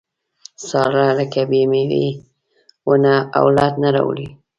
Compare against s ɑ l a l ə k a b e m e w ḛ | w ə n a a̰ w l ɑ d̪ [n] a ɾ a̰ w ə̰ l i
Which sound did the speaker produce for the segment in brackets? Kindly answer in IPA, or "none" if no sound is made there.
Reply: n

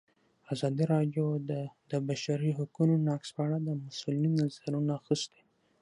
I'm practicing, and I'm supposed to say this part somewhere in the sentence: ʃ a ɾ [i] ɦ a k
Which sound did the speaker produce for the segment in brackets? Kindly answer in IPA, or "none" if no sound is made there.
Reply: i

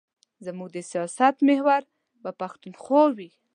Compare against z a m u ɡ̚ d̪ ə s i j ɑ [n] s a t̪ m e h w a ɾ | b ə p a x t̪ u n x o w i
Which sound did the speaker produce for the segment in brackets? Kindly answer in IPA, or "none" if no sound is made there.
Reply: none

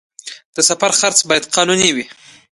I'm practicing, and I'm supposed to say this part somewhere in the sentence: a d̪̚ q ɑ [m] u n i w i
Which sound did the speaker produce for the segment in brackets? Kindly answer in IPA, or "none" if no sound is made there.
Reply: n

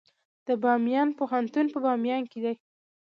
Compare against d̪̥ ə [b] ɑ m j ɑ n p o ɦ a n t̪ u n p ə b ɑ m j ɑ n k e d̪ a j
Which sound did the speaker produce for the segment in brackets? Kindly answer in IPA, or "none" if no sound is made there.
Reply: b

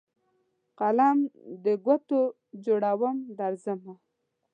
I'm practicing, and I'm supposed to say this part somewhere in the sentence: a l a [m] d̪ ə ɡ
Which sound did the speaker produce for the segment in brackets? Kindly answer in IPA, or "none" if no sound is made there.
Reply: m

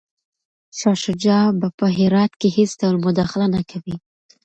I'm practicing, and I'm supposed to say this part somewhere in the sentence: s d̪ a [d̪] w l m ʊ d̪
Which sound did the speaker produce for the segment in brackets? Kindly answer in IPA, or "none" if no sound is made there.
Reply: none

